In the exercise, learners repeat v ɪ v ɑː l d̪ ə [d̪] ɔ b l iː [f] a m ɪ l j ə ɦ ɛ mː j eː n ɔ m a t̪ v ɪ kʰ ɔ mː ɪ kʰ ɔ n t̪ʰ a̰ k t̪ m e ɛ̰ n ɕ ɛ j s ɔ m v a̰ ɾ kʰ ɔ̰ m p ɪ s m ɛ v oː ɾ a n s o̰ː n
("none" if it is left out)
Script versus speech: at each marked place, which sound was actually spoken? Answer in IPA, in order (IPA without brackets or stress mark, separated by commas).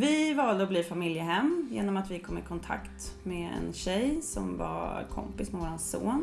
none, f